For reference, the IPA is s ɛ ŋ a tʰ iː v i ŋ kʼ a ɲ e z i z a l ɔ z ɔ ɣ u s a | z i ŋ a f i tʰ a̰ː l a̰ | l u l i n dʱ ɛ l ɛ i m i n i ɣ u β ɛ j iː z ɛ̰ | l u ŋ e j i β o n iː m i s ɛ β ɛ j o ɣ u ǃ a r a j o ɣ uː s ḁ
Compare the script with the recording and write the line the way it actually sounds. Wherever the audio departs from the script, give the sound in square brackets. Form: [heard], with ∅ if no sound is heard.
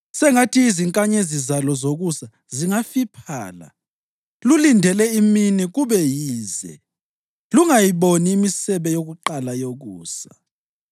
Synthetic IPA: s ɛ ŋ a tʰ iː [z] i ŋ kʼ a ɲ e z i z a l ɔ z [o] ɣ u s a | z i ŋ a f i [pʰ] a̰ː l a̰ | l u l i n dʱ ɛ l ɛ i m i n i ɣ u β ɛ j iː z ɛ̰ | l u ŋ [a] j i β o n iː m i s ɛ β ɛ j o ɣ u ǃ a [l] a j o ɣ uː s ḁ